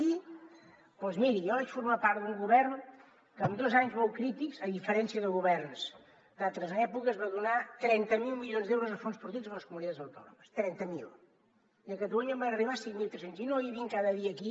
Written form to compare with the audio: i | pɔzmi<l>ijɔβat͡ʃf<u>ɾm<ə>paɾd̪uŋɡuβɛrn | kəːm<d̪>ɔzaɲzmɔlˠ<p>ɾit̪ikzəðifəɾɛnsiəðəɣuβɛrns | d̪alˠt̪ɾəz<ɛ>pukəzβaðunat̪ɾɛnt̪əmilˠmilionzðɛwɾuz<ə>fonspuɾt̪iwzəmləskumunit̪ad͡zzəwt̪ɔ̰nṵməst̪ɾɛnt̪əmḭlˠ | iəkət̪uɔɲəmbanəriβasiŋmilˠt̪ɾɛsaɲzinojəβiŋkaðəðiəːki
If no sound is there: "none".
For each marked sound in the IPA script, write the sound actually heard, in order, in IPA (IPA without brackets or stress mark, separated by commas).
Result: ɾ, u, a, d̪, k, ɛ, ə